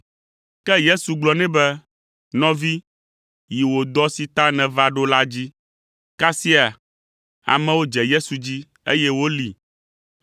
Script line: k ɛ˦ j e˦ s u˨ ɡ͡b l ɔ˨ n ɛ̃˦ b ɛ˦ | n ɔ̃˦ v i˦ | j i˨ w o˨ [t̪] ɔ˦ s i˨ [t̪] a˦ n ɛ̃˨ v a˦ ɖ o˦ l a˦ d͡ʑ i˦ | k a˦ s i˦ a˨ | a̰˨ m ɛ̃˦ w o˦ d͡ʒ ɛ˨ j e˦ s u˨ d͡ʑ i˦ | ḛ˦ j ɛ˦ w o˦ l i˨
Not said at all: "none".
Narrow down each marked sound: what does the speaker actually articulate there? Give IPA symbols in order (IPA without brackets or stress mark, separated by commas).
d̪, t̪